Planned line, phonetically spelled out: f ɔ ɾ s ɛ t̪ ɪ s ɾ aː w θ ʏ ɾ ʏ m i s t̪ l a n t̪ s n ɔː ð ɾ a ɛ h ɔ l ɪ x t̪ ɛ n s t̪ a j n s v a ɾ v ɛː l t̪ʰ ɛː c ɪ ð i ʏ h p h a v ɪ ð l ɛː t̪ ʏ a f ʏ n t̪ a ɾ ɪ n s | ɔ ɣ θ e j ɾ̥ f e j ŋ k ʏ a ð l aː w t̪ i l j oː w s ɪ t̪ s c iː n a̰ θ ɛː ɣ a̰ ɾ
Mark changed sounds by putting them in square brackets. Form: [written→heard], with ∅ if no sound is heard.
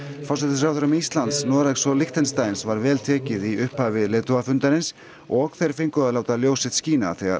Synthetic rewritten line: f ɔ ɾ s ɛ t̪ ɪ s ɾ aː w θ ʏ ɾ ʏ m i s t̪ l a n t̪ s n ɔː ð ɾ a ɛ [h→s] ɔ l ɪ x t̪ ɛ n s t̪ a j n s v a ɾ v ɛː l t̪ʰ ɛː c ɪ ð i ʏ h p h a v ɪ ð l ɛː t̪ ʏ a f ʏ n t̪ a ɾ ɪ n s | ɔ ɣ θ e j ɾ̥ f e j ŋ k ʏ a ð l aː w t̪ [i→a] l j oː w s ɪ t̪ s c iː n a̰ θ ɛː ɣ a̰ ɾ